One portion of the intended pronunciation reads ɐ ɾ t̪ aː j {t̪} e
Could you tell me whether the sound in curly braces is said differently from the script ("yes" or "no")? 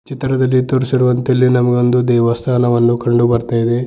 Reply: yes